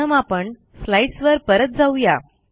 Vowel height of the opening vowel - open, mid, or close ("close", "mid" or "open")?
mid